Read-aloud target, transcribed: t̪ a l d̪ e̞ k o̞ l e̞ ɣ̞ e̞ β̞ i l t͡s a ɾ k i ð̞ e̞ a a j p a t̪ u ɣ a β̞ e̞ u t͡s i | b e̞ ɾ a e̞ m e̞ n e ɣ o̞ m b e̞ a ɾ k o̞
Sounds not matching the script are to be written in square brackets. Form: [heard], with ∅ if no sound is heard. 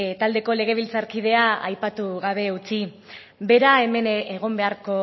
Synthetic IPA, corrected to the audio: t̪ a l d̪ e̞ k o̞ l e̞ ɣ̞ e̞ β̞ i l t͡s a ɾ k i ð̞ e̞ a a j p a t̪ u ɣ a β̞ e̞ u t͡s i | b e̞ ɾ a e̞ m e̞ n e ɣ o̞ m b e̞ a ɾ k o̞

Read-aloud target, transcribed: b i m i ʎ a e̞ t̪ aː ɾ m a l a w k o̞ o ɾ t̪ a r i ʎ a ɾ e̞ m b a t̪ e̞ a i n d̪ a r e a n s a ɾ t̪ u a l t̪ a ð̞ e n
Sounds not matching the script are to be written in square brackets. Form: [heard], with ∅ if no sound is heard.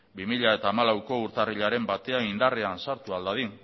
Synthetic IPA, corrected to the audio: b i m i ʎ a e̞ t̪ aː [∅] m a l a w k o̞ [u] ɾ t̪ a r i ʎ a ɾ e̞ m b a t̪ e̞ a i n d̪ a r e a n s a ɾ t̪ u a l [d̪] a ð̞ [i] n

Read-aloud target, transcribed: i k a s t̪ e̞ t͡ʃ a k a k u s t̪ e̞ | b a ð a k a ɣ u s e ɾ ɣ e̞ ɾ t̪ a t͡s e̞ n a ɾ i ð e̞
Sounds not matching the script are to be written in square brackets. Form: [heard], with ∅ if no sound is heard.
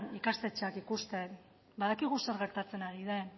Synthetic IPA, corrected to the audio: i k a s t̪ e̞ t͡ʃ a k [i] k u s t̪ e̞ | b a ð a k [i] ɣ u s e ɾ ɣ e̞ ɾ t̪ a t͡s e̞ n a ɾ i ð e̞

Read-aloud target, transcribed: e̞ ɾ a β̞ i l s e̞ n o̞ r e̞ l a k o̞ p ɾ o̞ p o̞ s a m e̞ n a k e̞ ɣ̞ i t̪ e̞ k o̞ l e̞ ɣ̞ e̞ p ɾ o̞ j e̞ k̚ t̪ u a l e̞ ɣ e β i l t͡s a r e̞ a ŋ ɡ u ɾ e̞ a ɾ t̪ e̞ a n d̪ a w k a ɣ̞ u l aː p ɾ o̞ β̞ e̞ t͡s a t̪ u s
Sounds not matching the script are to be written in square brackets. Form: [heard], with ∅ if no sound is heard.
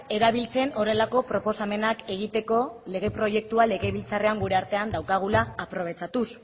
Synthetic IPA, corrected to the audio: e̞ ɾ a β̞ i l [t͡s] e̞ n o̞ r e̞ l a k o̞ p ɾ o̞ p o̞ s a m e̞ n a k e̞ ɣ̞ i t̪ e̞ k o̞ l e̞ ɣ̞ e̞ p ɾ o̞ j e̞ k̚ t̪ u a l e̞ ɣ e β i l t͡s a r e̞ a ŋ ɡ u ɾ e̞ a ɾ t̪ e̞ a n d̪ a w k a ɣ̞ u l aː p ɾ o̞ β̞ e̞ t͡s a t̪ u s

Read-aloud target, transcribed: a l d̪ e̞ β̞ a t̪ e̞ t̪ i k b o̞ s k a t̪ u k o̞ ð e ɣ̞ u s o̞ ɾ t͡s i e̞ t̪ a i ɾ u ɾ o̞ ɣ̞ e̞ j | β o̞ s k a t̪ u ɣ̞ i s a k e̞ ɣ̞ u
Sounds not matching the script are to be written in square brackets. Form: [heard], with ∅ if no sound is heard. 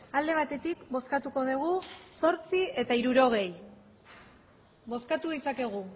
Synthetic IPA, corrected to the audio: a l d̪ e̞ β̞ a t̪ e̞ t̪ i k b o̞ s k a t̪ u k o̞ ð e ɣ̞ u s o̞ ɾ t͡s i e̞ t̪ a i ɾ u ɾ o̞ ɣ̞ e̞ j | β o̞ s k a t̪ u [ð̞] i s a k e̞ ɣ̞ u

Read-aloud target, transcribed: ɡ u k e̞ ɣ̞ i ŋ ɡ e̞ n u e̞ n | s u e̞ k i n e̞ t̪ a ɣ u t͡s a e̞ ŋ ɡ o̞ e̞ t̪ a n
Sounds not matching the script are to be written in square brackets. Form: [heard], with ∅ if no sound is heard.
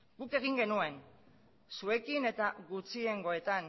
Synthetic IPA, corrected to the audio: ɡ u k e̞ ɣ̞ i ŋ ɡ e̞ n u e̞ n | s u e̞ k i n e̞ t̪ a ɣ u t͡s [i] e̞ ŋ ɡ o̞ e̞ t̪ a n

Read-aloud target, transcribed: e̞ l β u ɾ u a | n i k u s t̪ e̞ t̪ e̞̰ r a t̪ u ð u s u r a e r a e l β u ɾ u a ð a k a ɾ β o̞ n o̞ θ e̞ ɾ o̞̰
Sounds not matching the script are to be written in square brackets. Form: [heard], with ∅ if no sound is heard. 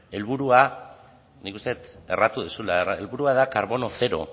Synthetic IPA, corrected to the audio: e̞ l β u ɾ u a | n i k u s t̪ e̞ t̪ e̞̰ r a t̪ u ð u s u [l] a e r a e l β u ɾ u a ð a k a ɾ β o̞ n o̞ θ e̞ ɾ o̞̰

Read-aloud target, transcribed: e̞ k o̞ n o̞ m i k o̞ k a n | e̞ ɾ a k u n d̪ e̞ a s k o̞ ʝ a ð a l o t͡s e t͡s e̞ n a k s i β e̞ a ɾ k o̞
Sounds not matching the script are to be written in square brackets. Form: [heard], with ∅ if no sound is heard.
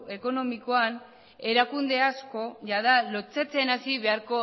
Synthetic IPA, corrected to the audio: e̞ k o̞ n o̞ m i k o̞ [∅] a n | e̞ ɾ a k u n d̪ e̞ a s k o̞ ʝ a ð a l o t͡s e t͡s e̞ n a [∅] s i β e̞ a ɾ k o̞

